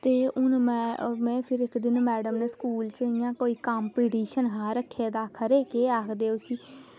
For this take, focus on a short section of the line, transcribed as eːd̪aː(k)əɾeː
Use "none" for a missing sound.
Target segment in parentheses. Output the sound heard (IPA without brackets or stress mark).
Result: kʰ